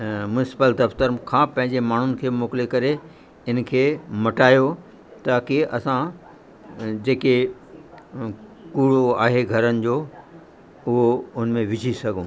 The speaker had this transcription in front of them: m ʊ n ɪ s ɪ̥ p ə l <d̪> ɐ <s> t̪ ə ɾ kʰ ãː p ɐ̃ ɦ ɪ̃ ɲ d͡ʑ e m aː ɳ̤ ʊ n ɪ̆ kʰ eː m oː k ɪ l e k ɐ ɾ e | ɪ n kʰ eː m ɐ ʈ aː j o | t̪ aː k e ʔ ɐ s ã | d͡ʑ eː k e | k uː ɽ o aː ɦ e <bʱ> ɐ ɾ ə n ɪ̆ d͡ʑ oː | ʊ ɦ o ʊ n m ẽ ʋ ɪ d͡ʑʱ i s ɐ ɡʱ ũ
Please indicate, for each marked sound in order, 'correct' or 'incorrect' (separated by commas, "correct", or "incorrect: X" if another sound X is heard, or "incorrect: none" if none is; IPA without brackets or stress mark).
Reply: correct, incorrect: f, incorrect: ɡʱ